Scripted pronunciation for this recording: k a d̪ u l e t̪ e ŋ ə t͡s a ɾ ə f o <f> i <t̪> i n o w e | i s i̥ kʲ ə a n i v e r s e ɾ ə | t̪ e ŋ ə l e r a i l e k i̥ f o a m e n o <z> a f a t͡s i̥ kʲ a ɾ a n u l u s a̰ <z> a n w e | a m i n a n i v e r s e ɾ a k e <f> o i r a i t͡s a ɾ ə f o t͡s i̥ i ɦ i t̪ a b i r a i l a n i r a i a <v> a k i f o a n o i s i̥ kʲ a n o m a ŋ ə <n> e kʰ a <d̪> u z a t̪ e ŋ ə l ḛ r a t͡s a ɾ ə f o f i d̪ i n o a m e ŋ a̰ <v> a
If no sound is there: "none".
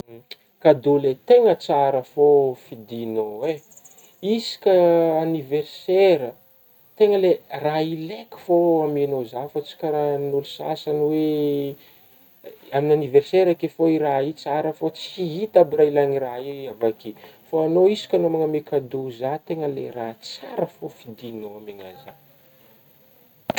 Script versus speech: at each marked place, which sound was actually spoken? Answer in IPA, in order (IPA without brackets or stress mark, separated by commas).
f, d̪, z, s, f, v, m, d̪, z